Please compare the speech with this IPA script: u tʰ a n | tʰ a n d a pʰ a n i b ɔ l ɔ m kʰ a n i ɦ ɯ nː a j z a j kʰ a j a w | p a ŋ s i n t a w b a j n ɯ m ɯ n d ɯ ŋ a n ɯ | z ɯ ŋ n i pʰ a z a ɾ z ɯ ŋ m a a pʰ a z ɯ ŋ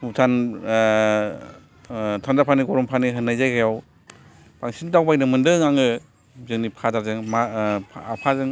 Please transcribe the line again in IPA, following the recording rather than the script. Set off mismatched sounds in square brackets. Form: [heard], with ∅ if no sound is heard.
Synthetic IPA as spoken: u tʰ a n | tʰ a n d a pʰ a n i [ɡ] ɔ [ɾ] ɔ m [pʰ] a n i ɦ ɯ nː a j z a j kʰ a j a w | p a ŋ s i n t a w b a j n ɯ m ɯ n d ɯ ŋ a [ŋ] ɯ | z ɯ ŋ n i pʰ a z a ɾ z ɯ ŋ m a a pʰ a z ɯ ŋ